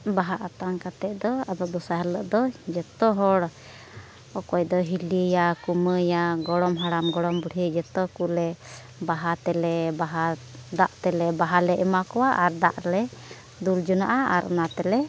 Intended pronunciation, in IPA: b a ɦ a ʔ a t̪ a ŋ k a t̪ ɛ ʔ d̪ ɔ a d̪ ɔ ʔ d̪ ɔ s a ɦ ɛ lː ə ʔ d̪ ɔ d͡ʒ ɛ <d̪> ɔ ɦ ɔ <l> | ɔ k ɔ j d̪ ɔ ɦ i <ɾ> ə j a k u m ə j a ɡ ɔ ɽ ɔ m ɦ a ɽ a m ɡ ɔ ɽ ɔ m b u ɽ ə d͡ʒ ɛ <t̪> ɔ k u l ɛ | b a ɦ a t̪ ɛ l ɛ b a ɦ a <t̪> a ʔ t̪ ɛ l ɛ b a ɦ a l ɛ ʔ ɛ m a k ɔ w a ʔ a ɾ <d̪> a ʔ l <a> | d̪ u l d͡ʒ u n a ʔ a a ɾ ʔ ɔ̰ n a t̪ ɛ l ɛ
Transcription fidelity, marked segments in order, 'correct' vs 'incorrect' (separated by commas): incorrect, incorrect, incorrect, correct, incorrect, correct, incorrect